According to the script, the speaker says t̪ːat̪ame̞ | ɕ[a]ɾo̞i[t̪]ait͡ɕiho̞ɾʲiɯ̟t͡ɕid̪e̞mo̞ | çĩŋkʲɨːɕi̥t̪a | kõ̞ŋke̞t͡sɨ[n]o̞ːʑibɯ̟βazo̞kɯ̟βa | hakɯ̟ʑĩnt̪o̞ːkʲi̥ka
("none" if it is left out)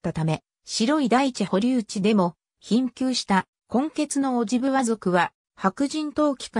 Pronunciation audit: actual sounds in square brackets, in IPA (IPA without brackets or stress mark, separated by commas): i, d̪, n